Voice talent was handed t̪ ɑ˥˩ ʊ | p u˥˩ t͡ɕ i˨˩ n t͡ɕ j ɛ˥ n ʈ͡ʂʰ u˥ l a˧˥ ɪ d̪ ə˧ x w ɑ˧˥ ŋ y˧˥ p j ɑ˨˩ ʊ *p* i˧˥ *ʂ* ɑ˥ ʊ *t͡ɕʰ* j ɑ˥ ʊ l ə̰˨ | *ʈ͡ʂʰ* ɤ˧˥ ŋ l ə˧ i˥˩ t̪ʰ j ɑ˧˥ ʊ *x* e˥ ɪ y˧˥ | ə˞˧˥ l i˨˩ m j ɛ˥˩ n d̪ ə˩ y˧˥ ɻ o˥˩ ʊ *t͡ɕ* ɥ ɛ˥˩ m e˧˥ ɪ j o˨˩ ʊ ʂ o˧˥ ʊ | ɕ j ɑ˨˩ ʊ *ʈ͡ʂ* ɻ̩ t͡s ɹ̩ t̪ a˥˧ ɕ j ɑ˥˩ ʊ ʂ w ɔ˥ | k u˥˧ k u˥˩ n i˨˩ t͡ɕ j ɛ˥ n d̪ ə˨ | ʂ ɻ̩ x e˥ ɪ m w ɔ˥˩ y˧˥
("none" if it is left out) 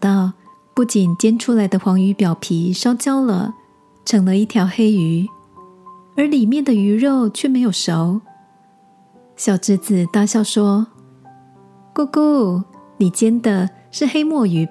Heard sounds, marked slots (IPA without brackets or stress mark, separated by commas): pʰ, ʂ, t͡ɕ, ʈ͡ʂʰ, x, t͡ɕʰ, ʈ͡ʂ